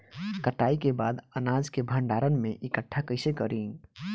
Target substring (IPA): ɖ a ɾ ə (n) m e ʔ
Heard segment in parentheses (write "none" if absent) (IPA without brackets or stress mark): n